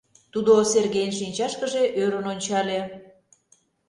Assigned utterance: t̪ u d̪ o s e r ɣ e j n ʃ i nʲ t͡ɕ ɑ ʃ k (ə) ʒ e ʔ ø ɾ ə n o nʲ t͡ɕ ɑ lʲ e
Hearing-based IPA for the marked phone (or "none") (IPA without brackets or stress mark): ə